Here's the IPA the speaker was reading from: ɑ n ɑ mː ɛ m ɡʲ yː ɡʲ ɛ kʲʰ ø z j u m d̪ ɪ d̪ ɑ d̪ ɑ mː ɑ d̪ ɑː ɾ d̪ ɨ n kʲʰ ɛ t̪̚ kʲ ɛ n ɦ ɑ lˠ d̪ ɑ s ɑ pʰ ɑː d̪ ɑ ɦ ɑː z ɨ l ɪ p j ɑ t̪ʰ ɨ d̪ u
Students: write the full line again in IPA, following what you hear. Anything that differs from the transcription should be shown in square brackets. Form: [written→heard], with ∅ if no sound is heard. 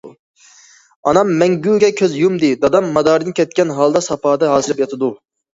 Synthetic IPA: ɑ n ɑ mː ɛ [m→ŋ] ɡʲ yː ɡʲ ɛ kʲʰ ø z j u m d̪ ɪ d̪ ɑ d̪ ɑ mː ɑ d̪ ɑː ɾ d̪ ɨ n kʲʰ ɛ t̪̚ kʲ ɛ n ɦ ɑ lˠ d̪ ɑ s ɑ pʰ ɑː d̪ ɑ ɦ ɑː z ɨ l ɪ p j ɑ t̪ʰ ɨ d̪ u